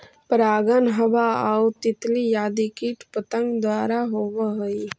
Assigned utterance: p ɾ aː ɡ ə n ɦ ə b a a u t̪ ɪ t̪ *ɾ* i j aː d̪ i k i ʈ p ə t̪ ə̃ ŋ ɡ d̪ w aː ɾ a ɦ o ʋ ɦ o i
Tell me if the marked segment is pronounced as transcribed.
no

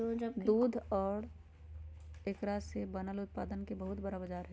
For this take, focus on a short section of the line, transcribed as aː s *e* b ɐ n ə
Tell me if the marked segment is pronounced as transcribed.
yes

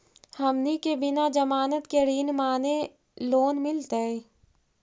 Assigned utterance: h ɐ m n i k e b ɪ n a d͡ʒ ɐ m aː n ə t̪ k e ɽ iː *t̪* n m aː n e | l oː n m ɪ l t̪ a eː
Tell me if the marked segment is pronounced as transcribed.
no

